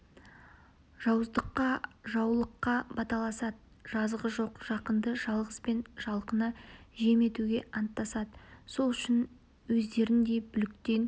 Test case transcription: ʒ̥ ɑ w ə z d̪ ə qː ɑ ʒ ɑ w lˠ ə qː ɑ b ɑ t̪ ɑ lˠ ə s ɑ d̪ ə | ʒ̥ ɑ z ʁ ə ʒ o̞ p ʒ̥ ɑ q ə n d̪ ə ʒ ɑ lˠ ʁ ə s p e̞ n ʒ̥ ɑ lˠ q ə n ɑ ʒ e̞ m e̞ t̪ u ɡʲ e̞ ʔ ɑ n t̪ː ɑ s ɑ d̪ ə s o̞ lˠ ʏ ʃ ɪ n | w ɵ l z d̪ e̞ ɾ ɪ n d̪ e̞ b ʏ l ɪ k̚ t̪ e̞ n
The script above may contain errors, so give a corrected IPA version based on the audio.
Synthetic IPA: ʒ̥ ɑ w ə z d̪ ə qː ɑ ʒ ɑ w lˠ ə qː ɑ b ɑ t̪ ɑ lˠ ɑ s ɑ d̪ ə | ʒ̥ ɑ z ʁ ə ʒ o̞ q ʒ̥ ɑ q ə n d̪ ə ʒ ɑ lˠ ʁ ə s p e̞ n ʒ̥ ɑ lˠ q ə n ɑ ʒ e̞ m e̞ t̪ u ɡʲ e̞ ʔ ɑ n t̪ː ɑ s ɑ d̪ ə s o̞ lˠ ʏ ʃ ɪ n | w ɵ z d̪ e̞ ɾ ɪ n d̪ e̞ b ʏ l ɪ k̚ t̪ e̞ n